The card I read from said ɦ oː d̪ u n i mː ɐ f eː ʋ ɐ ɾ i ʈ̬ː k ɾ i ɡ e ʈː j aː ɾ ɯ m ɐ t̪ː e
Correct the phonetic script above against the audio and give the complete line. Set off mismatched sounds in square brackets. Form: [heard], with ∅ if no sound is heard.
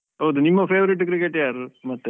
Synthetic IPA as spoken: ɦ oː d̪ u n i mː ɐ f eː ʋ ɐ ɾ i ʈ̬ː k ɾ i [k] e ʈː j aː ɾ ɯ m ɐ t̪ː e